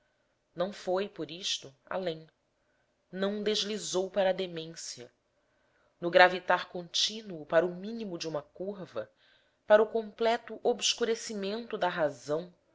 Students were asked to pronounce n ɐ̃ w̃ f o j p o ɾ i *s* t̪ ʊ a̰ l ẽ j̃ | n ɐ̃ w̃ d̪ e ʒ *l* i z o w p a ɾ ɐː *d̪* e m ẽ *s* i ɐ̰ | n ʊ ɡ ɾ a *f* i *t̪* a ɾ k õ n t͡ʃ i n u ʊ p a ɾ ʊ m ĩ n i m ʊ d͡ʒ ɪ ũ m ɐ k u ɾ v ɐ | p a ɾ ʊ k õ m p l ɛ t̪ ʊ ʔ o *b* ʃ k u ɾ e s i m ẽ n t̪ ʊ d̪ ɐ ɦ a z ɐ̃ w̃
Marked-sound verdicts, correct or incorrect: incorrect: ʃ, correct, correct, correct, incorrect: v, correct, correct

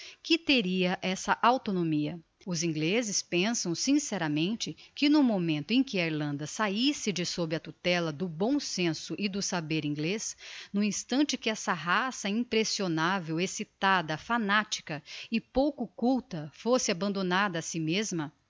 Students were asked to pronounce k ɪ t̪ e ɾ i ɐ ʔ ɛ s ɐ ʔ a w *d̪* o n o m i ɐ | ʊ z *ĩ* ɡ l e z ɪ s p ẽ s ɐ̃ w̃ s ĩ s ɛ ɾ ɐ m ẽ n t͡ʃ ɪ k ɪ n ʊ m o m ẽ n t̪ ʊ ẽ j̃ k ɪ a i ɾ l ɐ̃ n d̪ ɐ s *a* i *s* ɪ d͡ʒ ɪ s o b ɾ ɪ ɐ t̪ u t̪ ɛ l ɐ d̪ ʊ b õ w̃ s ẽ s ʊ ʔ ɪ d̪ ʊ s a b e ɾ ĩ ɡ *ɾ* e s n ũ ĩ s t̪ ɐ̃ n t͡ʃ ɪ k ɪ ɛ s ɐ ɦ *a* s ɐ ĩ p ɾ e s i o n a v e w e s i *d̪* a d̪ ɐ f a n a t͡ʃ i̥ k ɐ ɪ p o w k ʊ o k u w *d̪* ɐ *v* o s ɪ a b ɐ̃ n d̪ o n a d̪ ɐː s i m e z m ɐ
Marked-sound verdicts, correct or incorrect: incorrect: t̪, correct, correct, correct, incorrect: l, correct, incorrect: t̪, incorrect: t̪, incorrect: f

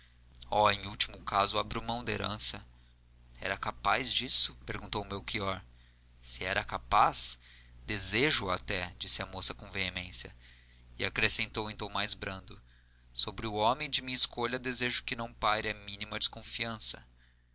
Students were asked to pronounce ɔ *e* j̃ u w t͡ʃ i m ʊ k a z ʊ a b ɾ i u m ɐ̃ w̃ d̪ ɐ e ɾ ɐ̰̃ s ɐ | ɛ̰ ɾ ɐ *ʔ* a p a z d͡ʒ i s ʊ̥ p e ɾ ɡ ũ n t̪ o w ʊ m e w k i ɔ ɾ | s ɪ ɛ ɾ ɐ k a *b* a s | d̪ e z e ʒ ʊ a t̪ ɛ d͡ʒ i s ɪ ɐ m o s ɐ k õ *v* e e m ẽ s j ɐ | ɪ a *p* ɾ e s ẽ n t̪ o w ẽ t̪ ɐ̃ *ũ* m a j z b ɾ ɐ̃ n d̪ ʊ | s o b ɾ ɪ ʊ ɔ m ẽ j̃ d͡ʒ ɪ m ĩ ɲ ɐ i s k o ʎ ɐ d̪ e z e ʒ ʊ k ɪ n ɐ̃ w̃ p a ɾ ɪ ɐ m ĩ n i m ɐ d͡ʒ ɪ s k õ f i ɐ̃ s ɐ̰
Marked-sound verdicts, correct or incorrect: incorrect: ẽ, incorrect: k, incorrect: p, correct, incorrect: k, incorrect: w̃

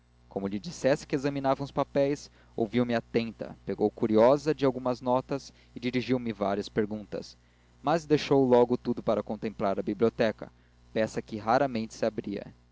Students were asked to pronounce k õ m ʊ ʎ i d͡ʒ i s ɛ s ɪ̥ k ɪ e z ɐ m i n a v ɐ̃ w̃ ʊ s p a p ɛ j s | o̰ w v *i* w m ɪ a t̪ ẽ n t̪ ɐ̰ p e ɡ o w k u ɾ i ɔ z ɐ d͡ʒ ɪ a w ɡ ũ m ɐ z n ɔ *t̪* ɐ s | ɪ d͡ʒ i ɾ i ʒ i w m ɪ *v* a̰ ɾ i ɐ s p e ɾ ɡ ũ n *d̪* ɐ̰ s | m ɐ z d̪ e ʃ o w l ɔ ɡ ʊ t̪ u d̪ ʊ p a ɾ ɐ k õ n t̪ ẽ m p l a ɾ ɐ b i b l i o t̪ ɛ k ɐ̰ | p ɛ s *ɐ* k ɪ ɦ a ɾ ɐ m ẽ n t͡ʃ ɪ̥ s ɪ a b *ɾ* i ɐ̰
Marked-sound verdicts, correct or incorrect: correct, correct, correct, incorrect: t̪, correct, correct

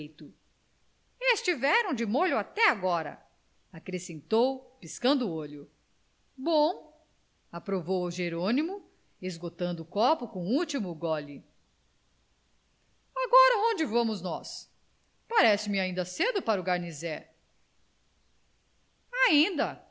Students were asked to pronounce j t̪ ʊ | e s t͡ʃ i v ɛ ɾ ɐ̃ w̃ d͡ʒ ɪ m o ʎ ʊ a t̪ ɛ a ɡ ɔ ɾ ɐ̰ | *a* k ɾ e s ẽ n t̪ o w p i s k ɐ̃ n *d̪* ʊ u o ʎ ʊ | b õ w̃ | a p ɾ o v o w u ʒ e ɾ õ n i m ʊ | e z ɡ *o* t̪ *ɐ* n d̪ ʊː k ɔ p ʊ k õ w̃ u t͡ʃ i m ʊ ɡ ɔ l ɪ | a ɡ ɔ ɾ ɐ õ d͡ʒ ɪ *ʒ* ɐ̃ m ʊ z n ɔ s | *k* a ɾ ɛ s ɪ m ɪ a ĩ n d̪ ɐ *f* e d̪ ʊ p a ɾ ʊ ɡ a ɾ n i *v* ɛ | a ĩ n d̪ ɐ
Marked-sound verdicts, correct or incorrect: correct, correct, correct, incorrect: ɐ̃, incorrect: v, incorrect: p, incorrect: s, incorrect: z

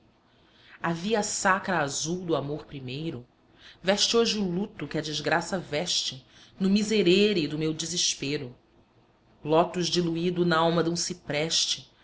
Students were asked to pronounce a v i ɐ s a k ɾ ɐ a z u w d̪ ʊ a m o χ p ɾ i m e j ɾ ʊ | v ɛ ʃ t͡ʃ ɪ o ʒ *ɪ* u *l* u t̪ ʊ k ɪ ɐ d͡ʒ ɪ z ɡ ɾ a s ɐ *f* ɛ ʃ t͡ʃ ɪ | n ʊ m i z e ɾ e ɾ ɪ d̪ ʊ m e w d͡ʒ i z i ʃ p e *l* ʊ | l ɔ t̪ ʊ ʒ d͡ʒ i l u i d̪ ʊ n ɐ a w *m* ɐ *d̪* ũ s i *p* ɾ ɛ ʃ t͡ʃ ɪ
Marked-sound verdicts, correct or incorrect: correct, correct, incorrect: v, incorrect: ɾ, correct, correct, correct

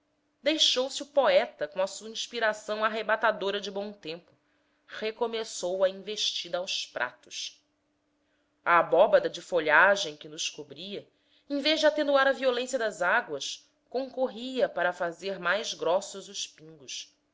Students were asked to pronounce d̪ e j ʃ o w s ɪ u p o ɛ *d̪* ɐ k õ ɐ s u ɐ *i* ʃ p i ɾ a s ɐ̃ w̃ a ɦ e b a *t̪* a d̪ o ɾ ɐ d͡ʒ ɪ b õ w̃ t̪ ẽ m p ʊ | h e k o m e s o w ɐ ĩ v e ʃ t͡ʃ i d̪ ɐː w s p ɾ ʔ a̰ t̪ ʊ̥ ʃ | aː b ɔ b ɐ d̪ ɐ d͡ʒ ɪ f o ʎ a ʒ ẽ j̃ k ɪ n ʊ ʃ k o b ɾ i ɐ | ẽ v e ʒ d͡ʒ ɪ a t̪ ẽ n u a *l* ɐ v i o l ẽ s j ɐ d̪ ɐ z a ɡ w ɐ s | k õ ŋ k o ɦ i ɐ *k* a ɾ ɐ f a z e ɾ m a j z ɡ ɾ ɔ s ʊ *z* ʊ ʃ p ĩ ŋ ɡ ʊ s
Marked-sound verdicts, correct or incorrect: incorrect: t̪, incorrect: ĩ, correct, incorrect: ɾ, incorrect: p, correct

